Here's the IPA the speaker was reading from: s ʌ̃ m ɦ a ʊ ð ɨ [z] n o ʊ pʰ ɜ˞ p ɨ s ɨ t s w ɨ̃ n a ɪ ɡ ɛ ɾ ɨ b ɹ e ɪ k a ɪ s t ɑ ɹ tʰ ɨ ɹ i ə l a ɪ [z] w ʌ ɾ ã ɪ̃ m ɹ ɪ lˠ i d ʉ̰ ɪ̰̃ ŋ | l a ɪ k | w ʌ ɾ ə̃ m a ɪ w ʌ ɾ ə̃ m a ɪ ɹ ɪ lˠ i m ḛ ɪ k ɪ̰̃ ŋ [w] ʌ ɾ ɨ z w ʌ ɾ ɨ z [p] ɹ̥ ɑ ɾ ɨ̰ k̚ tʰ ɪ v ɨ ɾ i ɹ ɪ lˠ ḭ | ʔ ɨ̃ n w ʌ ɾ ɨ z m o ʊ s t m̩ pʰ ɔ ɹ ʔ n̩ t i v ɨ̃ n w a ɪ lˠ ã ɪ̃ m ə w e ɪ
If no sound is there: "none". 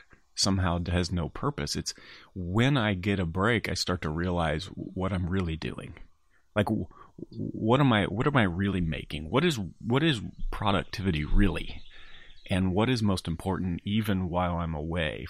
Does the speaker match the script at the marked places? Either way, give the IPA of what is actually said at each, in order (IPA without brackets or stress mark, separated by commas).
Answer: z, z, w, pʰ